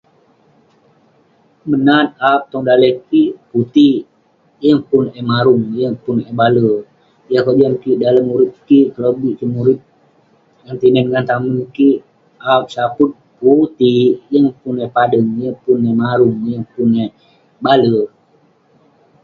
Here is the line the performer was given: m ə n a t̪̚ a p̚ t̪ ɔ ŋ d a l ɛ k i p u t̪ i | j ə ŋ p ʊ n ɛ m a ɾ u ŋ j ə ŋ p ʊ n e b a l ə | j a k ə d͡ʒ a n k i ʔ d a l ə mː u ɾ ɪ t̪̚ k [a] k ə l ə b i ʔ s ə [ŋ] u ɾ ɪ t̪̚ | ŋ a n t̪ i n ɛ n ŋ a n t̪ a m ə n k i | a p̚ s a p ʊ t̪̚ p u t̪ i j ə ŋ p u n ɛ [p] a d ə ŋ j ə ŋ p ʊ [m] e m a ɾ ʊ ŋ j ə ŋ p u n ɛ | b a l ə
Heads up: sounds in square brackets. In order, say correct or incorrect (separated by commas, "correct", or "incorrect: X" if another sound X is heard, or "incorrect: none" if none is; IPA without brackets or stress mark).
incorrect: i, incorrect: m, correct, incorrect: n